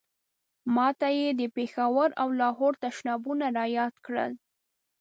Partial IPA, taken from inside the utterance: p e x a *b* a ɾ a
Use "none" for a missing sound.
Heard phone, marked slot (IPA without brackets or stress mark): w